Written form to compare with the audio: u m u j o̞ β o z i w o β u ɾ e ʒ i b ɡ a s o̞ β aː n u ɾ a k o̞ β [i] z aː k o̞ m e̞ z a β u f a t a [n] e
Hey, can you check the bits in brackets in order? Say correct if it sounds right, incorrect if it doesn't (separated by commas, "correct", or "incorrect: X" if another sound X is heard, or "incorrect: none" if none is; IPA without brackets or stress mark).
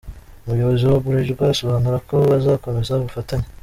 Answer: incorrect: a, incorrect: ɲ